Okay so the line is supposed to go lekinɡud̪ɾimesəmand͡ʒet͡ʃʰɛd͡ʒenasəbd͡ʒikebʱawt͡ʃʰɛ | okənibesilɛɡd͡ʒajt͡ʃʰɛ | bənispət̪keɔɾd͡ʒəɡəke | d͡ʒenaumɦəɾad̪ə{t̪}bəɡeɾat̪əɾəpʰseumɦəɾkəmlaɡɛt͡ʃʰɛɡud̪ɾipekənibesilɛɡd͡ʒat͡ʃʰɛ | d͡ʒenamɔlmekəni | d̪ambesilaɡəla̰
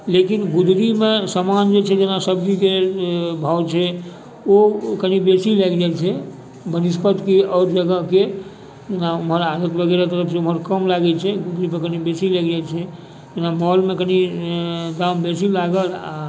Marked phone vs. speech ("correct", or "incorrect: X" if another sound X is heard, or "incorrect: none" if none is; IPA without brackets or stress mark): correct